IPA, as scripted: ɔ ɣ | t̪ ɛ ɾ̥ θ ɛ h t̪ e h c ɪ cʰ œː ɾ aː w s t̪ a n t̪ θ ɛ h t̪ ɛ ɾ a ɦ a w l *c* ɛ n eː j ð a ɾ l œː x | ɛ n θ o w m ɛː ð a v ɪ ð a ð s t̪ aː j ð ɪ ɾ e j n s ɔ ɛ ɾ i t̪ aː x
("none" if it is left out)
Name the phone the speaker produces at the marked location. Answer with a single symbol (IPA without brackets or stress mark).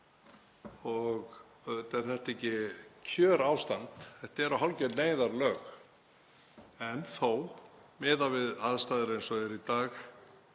c